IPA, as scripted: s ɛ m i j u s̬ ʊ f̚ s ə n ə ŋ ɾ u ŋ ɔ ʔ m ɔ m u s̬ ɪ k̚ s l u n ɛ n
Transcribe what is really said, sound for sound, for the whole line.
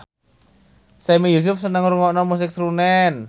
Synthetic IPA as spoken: s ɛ m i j u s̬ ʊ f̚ s ə n ə ŋ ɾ u ŋ ɔ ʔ n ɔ m u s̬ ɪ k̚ s ɾ u n ɛ n